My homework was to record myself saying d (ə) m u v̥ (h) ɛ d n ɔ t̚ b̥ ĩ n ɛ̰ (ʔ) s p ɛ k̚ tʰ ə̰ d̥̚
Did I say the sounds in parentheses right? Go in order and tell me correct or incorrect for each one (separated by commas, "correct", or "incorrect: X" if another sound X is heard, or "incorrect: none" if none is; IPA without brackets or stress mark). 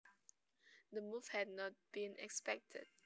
correct, correct, incorrect: k